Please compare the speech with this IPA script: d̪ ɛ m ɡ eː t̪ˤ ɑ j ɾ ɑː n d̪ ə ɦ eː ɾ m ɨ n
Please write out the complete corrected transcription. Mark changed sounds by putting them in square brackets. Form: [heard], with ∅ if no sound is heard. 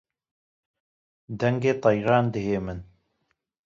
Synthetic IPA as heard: d̪ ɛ [ŋ] ɡ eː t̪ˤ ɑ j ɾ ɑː n d̪ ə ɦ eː [∅] m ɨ n

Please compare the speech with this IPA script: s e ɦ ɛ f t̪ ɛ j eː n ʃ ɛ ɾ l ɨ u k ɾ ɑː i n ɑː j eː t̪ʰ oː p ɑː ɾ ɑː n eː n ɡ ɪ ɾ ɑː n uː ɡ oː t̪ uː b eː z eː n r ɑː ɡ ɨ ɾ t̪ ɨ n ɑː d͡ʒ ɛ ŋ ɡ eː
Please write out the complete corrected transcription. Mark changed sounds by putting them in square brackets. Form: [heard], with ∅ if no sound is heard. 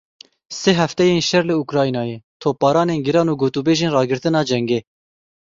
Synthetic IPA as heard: s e ɦ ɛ f t̪ ɛ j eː n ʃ ɛ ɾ l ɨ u k ɾ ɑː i n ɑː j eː t̪ʰ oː p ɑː ɾ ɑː n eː n ɡ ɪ ɾ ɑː n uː ɡ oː t̪ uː b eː [ʒ] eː n r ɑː ɡ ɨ ɾ t̪ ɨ n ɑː d͡ʒ ɛ ŋ ɡ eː

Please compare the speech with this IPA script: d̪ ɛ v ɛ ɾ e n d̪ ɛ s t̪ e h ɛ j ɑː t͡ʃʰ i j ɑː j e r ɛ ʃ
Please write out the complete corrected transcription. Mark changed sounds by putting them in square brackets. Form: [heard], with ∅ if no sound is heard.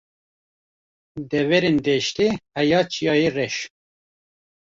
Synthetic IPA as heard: d̪ ɛ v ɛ ɾ e n d̪ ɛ [ʃ] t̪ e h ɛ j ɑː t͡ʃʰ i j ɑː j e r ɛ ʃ

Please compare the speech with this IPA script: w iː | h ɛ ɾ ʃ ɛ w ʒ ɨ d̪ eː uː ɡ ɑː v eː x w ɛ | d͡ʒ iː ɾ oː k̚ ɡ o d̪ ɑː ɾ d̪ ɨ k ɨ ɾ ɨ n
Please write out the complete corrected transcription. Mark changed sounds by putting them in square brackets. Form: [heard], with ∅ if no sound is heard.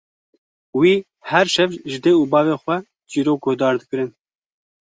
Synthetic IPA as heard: w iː | h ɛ ɾ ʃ ɛ [v] ʒ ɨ d̪ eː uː [b] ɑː v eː x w ɛ | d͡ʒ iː ɾ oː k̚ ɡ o d̪ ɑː ɾ d̪ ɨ k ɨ ɾ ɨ n

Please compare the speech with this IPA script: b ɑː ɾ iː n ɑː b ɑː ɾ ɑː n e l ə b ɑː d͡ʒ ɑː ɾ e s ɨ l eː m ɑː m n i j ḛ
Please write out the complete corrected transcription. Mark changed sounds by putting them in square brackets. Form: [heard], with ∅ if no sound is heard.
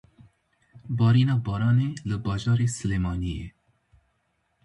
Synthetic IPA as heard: b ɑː ɾ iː n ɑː b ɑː ɾ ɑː n e l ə b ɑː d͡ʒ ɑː ɾ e s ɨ l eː m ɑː [∅] n i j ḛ

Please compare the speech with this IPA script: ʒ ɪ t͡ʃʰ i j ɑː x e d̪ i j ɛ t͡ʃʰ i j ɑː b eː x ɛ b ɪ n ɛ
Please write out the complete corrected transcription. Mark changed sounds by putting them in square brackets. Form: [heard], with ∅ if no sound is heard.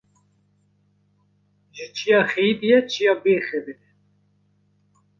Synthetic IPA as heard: ʒ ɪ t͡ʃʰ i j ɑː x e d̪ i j ɛ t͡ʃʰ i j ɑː b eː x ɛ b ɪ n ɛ

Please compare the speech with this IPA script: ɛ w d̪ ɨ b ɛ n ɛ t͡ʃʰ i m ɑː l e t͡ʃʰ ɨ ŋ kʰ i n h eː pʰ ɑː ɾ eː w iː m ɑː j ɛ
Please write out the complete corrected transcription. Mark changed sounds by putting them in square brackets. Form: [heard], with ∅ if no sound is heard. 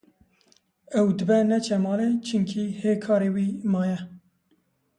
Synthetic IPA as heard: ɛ w d̪ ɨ b ɛ n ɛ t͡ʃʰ [ɛ] m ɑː l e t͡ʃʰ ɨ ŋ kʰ i [∅] h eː [kʰ] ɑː ɾ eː w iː m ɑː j ɛ

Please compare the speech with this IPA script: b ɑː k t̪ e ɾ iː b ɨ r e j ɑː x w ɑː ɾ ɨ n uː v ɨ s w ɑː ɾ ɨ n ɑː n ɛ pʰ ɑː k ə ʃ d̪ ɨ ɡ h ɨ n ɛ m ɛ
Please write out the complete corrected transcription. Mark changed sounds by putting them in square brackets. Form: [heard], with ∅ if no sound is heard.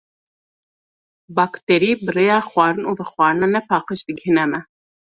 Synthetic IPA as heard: b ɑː k t̪ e ɾ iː b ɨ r e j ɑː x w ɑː ɾ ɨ n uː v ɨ [x] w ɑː ɾ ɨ n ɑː n ɛ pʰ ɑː [q] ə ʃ d̪ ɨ ɡ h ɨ n ɛ m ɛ

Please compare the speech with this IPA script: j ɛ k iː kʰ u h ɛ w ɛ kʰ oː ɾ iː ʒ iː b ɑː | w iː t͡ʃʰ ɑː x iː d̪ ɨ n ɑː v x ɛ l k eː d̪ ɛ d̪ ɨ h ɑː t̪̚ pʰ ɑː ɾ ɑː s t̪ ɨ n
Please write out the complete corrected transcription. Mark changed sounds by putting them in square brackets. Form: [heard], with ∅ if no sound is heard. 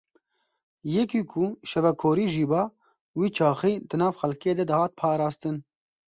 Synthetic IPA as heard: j ɛ k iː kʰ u [ʃ] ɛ [v] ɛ kʰ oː ɾ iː ʒ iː b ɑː | w iː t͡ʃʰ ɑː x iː d̪ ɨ n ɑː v x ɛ l k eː d̪ ɛ d̪ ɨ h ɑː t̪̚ pʰ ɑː ɾ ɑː s t̪ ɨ n

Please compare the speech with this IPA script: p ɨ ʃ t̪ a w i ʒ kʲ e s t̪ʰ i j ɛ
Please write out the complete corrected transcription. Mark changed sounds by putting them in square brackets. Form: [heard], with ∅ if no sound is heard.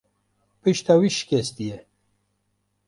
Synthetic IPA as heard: p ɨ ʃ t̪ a w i [ʃ] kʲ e s [t̪] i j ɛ

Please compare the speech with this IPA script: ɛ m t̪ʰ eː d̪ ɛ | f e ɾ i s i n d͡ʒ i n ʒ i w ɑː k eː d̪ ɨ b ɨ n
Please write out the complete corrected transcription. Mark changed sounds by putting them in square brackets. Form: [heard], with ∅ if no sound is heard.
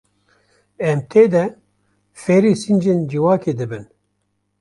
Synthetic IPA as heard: ɛ m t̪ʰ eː d̪ ɛ | f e ɾ i s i n d͡ʒ [e] n [d͡ʒ] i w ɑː k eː d̪ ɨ b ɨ n

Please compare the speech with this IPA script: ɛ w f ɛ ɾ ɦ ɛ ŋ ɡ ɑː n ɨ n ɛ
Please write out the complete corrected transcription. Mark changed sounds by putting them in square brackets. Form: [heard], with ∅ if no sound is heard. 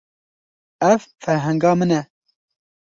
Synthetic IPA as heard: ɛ [v] f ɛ ɾ ɦ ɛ ŋ ɡ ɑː [m] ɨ n ɛ

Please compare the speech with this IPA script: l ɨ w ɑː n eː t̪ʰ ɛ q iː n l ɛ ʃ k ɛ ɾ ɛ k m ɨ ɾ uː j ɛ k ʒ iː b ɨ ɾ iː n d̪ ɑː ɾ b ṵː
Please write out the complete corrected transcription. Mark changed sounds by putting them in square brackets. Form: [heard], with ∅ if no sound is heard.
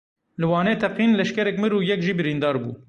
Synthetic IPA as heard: l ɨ w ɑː n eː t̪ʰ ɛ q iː n l ɛ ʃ k ɛ ɾ ɛ k m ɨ ɾ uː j ɛ k ʒ iː b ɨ ɾ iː n d̪ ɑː ɾ b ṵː

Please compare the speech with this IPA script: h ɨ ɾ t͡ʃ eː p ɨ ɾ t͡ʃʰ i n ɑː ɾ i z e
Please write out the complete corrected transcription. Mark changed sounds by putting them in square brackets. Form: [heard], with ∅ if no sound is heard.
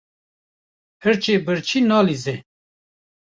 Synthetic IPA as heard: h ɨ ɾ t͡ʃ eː [b] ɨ ɾ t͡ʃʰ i n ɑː [l] i z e

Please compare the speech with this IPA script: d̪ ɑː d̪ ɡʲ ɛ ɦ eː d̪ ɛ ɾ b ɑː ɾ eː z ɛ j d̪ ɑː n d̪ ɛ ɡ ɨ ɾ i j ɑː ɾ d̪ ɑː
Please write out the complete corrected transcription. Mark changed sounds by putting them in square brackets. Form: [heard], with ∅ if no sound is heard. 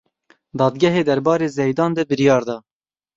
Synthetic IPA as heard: d̪ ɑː d̪ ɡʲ ɛ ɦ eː d̪ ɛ ɾ b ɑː ɾ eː z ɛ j d̪ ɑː n d̪ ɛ [b] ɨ ɾ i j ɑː ɾ d̪ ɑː

